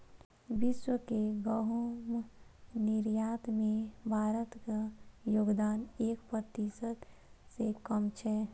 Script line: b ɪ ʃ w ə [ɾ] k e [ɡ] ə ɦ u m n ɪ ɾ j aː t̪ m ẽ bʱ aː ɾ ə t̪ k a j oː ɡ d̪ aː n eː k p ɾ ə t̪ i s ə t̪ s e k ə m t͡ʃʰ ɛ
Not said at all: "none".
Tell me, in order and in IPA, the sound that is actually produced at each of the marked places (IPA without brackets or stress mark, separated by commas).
none, ɡ